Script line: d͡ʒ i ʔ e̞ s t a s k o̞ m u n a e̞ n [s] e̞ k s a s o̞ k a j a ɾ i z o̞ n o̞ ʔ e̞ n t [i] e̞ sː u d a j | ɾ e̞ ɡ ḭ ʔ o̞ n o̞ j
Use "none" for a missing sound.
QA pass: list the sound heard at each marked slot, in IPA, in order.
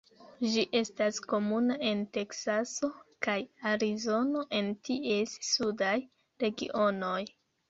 t, i

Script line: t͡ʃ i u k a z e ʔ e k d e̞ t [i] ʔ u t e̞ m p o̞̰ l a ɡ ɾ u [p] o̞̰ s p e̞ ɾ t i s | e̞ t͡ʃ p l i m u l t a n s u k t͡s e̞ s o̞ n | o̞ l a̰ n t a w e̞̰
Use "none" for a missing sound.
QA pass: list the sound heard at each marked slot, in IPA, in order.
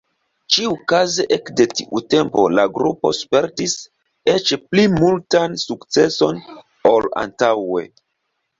i, p

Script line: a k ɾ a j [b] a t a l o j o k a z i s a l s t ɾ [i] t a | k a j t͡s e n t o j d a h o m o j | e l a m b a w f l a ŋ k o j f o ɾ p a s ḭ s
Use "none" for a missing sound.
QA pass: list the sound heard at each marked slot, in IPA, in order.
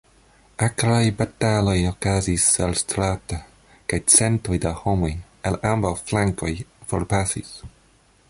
b, a

